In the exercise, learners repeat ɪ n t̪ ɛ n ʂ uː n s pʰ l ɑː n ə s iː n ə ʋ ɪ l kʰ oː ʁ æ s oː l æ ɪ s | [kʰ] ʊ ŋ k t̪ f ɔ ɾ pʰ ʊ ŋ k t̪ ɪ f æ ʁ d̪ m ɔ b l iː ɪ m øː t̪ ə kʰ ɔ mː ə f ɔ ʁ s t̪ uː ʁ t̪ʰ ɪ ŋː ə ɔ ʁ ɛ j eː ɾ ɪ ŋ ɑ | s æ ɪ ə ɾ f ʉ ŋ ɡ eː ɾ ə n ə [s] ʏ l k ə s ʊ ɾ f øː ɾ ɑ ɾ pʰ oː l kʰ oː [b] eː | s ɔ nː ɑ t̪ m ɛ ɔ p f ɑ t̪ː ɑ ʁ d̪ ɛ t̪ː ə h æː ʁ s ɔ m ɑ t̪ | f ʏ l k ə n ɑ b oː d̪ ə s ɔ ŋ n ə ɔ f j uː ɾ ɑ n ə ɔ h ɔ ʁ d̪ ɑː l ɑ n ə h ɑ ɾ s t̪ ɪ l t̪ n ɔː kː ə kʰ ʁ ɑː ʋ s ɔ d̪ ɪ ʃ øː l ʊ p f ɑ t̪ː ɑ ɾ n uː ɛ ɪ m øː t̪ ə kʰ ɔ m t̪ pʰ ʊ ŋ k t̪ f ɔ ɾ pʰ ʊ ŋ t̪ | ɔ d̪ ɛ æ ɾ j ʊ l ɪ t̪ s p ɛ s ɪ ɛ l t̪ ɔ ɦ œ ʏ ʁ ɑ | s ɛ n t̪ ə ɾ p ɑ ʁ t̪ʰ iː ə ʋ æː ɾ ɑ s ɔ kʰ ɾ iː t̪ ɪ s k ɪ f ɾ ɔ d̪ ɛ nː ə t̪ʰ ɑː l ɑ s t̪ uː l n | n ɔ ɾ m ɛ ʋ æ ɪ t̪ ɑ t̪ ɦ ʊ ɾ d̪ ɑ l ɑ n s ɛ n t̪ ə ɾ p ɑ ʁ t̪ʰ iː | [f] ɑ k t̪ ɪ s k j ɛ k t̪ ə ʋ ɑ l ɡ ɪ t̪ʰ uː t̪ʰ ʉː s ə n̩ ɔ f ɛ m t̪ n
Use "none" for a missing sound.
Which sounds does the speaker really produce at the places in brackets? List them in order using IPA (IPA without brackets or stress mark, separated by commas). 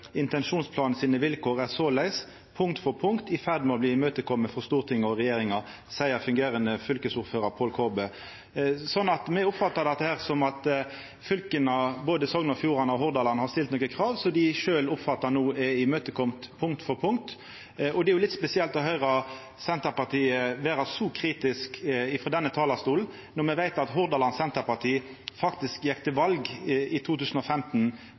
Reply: pʰ, f, b, f